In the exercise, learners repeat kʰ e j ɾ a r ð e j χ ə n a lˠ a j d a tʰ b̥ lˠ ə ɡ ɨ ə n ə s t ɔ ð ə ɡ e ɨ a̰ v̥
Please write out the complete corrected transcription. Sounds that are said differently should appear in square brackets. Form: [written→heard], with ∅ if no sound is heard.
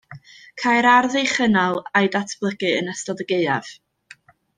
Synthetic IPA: kʰ [e→a] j ɾ a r ð e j χ ə n a lˠ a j d a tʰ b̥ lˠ ə ɡ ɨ ə n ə s t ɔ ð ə ɡ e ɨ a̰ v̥